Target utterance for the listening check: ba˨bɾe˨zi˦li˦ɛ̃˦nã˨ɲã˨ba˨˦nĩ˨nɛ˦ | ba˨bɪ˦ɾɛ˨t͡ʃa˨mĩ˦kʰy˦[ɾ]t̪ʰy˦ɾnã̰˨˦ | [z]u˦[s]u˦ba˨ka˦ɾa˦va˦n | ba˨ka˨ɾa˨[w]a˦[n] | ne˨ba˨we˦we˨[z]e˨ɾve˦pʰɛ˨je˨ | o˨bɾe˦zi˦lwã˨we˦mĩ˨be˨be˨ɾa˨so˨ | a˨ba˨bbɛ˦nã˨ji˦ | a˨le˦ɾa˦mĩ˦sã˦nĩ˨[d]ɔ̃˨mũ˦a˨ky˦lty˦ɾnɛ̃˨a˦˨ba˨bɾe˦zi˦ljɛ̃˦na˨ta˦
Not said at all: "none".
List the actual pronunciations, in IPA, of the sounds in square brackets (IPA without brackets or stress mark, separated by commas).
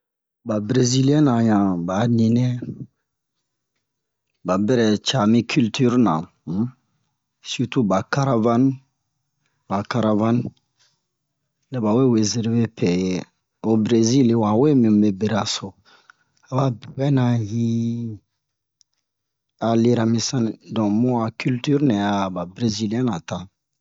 l, s, t, v, n, z, d